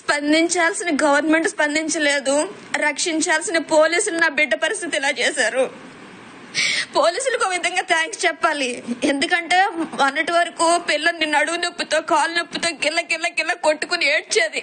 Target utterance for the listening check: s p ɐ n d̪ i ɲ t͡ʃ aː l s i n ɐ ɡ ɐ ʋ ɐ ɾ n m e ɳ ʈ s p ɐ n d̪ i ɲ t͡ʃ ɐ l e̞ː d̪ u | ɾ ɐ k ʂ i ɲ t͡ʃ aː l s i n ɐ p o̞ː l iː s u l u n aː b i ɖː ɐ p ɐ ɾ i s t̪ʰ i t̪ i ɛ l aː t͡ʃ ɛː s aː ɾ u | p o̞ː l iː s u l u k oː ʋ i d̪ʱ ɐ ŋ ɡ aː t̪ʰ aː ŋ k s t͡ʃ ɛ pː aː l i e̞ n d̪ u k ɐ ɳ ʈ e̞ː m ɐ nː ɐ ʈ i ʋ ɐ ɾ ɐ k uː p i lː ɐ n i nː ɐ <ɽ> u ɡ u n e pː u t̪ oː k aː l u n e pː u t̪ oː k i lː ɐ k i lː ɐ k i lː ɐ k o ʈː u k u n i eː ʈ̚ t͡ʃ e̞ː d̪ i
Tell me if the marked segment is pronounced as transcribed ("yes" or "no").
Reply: yes